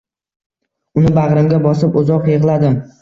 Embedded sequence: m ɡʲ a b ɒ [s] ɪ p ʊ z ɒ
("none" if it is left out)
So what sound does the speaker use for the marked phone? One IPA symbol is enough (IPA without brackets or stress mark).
s